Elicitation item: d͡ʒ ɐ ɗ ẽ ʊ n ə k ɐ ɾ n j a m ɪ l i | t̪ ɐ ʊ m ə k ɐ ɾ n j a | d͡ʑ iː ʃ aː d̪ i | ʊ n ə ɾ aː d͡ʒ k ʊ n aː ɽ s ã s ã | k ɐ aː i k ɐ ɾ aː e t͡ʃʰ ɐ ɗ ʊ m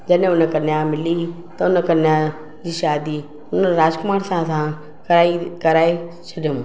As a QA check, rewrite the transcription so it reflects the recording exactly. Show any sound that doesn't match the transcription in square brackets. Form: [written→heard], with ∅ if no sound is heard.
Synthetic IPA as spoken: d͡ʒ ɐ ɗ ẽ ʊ n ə k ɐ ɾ n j a m ɪ l i | t̪ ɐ ʊ [m→n] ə k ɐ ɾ n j a | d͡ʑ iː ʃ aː d̪ i | ʊ n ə ɾ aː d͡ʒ k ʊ [n→m] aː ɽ s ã s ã | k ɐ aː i k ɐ ɾ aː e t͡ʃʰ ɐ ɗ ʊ m